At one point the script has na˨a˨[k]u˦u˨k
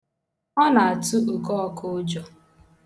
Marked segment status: incorrect: t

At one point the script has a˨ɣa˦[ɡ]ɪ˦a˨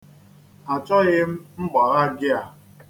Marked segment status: correct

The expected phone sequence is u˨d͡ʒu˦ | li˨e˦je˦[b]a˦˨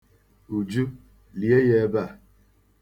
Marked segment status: correct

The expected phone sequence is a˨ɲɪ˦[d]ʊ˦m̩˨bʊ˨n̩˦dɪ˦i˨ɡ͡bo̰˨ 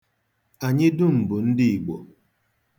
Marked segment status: correct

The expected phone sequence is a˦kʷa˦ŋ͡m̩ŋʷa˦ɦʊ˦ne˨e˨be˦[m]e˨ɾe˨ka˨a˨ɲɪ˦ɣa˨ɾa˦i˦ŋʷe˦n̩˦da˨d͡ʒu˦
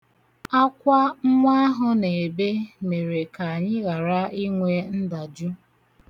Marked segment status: correct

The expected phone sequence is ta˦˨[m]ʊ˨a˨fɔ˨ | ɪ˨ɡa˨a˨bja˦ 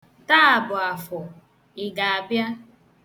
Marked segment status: incorrect: b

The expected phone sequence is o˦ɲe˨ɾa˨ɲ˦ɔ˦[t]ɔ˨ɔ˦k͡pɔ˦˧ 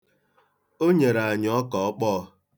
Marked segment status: incorrect: k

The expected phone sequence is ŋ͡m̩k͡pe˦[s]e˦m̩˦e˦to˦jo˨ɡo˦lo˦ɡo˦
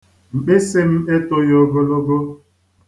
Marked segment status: correct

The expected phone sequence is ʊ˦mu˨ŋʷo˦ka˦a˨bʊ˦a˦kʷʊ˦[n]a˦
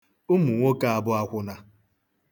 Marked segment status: correct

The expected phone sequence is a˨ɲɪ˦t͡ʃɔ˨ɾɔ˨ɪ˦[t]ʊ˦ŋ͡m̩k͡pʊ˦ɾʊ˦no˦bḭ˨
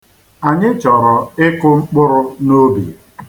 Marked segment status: incorrect: k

